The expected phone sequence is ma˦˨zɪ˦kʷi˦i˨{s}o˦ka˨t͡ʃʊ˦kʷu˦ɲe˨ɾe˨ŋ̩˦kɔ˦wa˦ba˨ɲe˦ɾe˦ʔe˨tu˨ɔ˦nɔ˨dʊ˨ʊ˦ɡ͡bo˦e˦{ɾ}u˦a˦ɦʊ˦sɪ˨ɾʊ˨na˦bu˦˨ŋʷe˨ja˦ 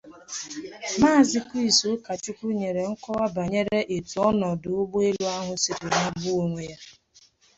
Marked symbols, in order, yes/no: yes, no

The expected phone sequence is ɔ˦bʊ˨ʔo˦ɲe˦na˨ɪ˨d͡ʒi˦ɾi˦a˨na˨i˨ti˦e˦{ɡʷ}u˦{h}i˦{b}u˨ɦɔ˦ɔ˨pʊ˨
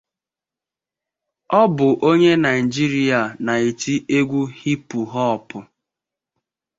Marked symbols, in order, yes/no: yes, yes, no

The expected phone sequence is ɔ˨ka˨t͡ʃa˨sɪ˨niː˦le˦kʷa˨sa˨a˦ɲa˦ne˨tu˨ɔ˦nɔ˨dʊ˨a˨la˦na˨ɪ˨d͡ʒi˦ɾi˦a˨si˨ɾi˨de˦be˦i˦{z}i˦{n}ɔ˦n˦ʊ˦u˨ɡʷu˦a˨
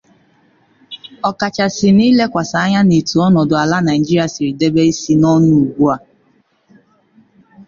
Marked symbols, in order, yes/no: no, yes

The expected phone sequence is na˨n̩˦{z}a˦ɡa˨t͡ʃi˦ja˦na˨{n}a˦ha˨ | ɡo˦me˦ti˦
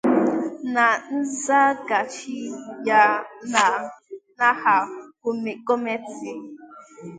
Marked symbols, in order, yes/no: yes, yes

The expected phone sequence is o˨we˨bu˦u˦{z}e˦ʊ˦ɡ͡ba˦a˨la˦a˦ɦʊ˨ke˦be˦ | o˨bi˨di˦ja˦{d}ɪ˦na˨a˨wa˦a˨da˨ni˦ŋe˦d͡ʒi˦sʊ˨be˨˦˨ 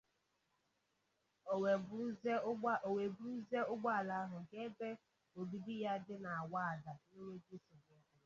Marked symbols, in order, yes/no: yes, yes

